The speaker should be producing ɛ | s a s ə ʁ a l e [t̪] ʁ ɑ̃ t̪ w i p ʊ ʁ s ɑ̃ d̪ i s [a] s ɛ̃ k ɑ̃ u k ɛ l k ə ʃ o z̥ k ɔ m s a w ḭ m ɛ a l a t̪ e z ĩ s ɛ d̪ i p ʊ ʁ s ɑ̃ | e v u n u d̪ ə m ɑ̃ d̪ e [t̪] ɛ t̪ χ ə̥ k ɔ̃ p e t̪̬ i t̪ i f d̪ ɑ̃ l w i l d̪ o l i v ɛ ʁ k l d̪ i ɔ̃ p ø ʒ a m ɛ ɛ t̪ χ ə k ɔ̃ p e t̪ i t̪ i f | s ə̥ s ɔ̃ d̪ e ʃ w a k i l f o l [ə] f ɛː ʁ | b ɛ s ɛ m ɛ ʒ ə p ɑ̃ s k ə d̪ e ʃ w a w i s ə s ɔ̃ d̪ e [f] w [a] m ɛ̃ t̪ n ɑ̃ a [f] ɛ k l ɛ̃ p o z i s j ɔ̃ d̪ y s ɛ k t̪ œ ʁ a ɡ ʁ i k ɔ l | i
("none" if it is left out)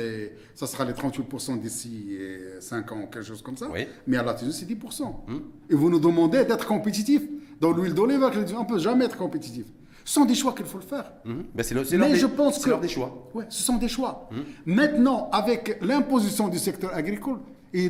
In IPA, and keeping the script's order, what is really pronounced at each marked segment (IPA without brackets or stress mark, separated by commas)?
t̪, i, d̪, ə, ʃ, a, v